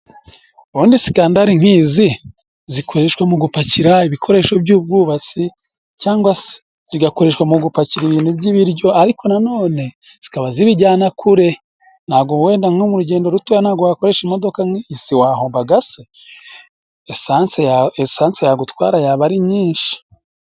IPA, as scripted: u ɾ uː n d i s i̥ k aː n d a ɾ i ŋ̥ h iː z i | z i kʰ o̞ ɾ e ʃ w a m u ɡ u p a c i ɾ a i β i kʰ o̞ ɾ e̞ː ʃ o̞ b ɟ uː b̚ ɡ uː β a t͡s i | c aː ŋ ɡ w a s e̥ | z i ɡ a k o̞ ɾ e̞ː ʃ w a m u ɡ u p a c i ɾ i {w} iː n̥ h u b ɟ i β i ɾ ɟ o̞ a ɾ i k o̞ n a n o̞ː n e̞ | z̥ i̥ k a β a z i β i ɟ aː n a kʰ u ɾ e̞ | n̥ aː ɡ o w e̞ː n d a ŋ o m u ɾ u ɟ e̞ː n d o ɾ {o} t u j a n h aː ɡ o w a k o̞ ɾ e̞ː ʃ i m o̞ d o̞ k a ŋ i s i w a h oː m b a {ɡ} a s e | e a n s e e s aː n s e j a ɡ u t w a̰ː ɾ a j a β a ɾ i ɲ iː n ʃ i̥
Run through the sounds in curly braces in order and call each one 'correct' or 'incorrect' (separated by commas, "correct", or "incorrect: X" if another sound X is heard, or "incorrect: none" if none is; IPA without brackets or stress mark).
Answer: incorrect: β, incorrect: u, correct